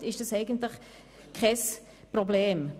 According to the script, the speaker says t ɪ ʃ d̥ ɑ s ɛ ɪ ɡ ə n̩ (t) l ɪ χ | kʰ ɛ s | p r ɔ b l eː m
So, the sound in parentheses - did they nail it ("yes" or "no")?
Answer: yes